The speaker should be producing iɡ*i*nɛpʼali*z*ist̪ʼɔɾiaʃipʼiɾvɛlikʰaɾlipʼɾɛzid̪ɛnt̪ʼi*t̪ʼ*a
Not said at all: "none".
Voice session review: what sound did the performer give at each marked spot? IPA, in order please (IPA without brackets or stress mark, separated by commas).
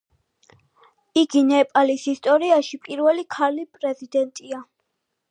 i, s, none